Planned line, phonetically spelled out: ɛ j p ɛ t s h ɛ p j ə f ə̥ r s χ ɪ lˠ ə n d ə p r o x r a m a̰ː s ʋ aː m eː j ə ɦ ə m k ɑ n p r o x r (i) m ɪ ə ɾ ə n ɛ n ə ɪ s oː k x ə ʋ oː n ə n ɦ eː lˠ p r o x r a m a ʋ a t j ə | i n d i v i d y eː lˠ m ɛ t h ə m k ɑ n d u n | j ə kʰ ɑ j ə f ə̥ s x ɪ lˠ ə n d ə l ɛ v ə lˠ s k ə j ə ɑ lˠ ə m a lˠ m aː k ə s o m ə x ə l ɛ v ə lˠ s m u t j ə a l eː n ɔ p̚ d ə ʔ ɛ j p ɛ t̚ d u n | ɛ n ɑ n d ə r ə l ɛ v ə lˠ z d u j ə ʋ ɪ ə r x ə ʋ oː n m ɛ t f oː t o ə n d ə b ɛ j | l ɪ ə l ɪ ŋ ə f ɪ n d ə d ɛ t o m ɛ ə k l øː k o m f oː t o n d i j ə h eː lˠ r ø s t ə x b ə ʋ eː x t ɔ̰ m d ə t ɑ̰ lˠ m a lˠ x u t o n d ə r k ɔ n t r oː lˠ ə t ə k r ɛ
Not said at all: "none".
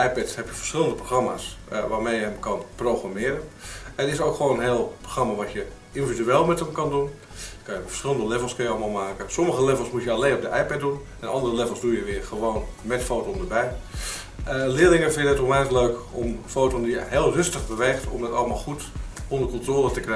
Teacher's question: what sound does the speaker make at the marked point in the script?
a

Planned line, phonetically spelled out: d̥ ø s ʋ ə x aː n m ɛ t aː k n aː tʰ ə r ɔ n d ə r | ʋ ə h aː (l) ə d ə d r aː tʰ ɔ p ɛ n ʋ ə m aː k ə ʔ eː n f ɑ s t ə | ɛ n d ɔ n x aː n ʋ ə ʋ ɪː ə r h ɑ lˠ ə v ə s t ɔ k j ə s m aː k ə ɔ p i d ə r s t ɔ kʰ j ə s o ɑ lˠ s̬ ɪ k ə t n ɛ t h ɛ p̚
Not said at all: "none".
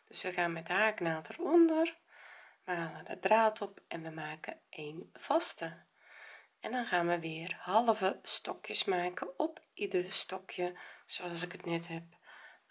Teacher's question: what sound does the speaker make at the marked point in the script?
l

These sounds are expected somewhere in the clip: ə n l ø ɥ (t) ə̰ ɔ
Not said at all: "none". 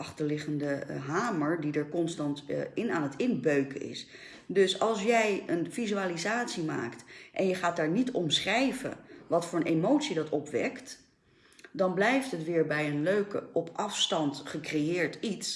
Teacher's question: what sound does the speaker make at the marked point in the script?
k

